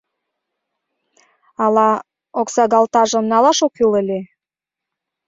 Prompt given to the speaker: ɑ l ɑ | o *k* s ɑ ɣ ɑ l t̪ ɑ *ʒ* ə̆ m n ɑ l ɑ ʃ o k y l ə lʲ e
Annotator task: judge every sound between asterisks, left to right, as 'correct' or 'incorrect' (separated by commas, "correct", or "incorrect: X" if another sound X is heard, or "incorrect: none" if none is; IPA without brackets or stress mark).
correct, correct